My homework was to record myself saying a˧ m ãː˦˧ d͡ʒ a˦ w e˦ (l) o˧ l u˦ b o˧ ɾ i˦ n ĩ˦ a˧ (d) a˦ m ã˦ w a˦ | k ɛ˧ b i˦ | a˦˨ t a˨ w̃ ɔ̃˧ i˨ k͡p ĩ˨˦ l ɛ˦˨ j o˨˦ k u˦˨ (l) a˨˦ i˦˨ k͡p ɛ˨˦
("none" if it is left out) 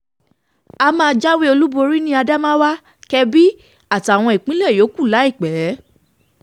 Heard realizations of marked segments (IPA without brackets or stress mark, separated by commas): none, d, l